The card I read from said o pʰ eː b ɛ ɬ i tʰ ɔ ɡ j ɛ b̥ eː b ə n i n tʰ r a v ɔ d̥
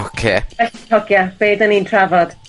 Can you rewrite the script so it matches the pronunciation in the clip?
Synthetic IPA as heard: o kʰ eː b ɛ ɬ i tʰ ɔ ɡ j a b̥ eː d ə n i n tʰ r a v ɔ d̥